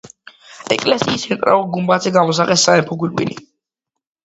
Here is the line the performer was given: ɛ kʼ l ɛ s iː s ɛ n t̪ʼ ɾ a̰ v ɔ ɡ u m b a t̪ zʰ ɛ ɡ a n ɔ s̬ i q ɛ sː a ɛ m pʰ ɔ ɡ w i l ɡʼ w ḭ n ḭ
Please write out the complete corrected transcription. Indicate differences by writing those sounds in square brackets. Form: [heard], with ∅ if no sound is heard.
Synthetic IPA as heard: ɛ kʼ l ɛ s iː s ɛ n t̪ʼ ɾ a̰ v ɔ ɡ u m b a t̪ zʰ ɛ ɡ a [m] ɔ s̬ [a] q ɛ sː a ɛ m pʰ ɔ ɡ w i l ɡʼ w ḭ n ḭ